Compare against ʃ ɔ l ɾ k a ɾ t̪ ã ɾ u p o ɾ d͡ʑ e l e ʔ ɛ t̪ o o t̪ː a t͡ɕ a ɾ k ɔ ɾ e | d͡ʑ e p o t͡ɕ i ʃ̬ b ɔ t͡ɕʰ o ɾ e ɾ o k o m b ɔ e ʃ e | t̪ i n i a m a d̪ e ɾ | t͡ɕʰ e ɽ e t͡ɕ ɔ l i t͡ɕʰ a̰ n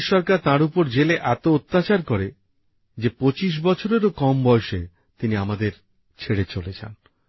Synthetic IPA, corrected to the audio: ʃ ɔ ɾ k a ɾ t̪ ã ɾ u p o ɾ d͡ʑ e l e ʔ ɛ t̪ o o t̪ː a t͡ɕ a ɾ k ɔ ɾ e | d͡ʑ e p o t͡ɕ i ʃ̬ b ɔ t͡ɕʰ o ɾ e ɾ o k ɔ m b ɔ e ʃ e | t̪ i n i a m a d̪ e ɾ | t͡ɕʰ e ɽ e t͡ɕ o l e t͡ɕʰ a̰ n